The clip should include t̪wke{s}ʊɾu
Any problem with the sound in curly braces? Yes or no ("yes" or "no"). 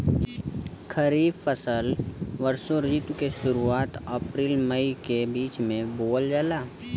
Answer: yes